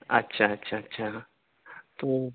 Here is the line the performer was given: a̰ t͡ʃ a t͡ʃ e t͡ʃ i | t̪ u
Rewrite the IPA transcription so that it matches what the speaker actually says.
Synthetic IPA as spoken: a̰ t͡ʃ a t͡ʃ a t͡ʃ a | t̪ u

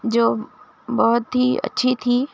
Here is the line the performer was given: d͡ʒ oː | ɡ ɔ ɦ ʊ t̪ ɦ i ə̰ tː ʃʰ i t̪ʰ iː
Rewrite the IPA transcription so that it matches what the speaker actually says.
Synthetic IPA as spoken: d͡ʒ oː | b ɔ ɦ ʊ t̪ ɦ i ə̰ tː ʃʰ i t̪ʰ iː

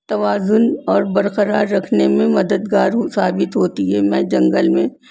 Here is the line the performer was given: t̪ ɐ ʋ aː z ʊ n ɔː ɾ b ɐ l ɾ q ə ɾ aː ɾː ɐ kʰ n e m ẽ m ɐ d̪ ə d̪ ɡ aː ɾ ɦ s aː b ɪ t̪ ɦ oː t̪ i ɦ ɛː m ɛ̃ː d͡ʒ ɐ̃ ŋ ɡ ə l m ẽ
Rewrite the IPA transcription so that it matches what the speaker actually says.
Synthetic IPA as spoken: t̪ ɐ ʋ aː z ʊ n ɔː ɾ b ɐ ɾ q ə ɾ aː ɾː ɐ kʰ n e m ẽ m ɐ d̪ ə d̪ ɡ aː ɾ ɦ s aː b ɪ t̪ ɦ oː t̪ i ɦ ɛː m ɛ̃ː d͡ʒ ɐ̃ ŋ ɡ ə l m ẽ

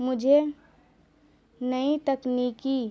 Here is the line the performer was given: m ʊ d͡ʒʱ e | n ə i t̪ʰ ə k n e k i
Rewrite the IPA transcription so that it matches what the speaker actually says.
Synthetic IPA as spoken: m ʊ d͡ʒʱ e | n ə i t̪ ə k n i k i

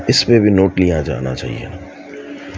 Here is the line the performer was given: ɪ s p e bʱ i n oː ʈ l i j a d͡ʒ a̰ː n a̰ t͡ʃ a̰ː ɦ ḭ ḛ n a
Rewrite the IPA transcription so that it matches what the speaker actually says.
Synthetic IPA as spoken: ɪ s p e bʱ i n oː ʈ l i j a d͡ʒ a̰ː n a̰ t͡ʃ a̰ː ɦ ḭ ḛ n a

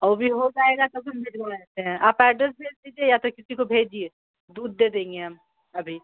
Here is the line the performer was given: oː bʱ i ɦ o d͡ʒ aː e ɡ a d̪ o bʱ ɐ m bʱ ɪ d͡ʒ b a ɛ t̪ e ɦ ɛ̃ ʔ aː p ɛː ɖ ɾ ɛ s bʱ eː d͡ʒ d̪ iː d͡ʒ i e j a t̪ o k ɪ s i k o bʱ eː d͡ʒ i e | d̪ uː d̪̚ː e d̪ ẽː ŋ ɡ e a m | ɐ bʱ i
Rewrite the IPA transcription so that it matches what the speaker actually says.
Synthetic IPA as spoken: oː bʱ i ɦ o d͡ʒ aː e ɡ a t̪ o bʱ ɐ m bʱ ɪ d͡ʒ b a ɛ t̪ e ɦ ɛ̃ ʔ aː p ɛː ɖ ɾ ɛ s bʱ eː d͡ʒ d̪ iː d͡ʒ i e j a t̪ o k ɪ s i k o bʱ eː d͡ʒ i e | d̪ uː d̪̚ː e d̪ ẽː ŋ ɡ e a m | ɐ bʱ i

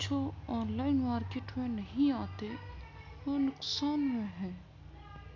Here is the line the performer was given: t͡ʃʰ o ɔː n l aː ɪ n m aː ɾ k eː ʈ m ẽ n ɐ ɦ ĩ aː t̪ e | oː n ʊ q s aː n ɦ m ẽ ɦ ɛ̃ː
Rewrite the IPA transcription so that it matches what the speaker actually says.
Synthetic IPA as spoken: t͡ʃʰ o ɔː n l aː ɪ n m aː ɾ k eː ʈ m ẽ n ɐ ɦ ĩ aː t̪ e | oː n ʊ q s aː n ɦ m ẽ ɦ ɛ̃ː

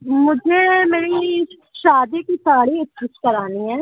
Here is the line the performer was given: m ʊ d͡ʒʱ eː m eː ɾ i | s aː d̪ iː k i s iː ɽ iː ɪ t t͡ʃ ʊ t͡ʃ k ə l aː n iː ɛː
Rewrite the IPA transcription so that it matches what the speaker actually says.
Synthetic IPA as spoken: m ʊ d͡ʒʱ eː m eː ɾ i | ʃ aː d̪ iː k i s aː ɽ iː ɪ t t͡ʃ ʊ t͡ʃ k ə ɾ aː n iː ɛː

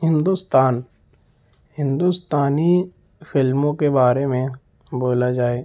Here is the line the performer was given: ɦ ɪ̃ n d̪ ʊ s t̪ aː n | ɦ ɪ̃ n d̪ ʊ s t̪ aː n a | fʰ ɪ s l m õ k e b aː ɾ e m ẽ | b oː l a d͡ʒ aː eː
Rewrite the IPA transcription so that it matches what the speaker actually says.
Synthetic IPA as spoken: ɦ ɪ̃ n d̪ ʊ s t̪ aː n | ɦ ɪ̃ n d̪ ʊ s t̪ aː n i | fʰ ɪ l m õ k e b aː ɾ e m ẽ | b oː l a d͡ʒ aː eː

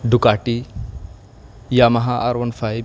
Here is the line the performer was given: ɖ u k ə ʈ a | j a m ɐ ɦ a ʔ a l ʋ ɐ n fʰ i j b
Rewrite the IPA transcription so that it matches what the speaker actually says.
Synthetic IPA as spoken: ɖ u k a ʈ i | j a m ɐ ɦ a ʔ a ɾ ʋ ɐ n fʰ a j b

